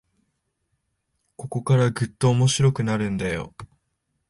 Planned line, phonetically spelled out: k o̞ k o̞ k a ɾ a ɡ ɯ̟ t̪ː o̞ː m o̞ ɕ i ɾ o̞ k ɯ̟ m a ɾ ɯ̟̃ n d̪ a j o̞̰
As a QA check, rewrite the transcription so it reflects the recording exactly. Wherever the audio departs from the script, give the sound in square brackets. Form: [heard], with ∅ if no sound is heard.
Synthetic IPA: k o̞ k o̞ k a ɾ a ɡ ɯ̟ t̪ː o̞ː m o̞ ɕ i ɾ o̞ k ɯ̟ [n] a ɾ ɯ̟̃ n d̪ a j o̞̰